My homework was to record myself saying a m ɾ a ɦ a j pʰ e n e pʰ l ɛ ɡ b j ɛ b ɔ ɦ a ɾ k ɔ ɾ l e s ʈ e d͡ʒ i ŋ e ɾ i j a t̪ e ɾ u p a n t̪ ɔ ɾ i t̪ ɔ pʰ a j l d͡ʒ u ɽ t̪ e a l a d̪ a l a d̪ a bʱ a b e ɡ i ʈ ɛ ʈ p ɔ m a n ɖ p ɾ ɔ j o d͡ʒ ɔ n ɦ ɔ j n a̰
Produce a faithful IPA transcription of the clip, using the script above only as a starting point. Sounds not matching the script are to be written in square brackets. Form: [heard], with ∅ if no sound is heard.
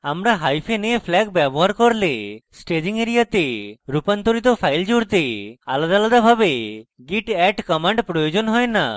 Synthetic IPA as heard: a m ɾ a ɦ a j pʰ e n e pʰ l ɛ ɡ b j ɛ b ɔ ɦ a ɾ k ɔ ɾ l e s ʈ e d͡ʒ i ŋ e ɾ i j a t̪ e ɾ u p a n t̪ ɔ ɾ i t̪ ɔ pʰ a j l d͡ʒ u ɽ t̪ e a l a d̪ a l a d̪ a bʱ a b e ɡ i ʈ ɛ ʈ [k] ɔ m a [ɳ] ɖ p ɾ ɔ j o d͡ʒ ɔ n ɦ ɔ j n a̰